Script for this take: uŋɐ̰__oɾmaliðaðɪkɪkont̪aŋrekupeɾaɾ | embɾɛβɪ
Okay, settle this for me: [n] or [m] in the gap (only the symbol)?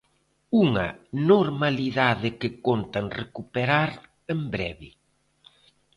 n